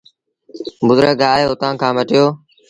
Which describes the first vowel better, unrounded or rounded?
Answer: rounded